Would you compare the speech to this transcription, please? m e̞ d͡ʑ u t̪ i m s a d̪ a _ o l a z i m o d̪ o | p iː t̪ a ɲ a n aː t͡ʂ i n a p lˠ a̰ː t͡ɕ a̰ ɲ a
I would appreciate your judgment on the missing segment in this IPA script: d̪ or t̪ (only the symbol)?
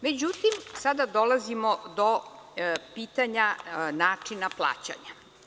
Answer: d̪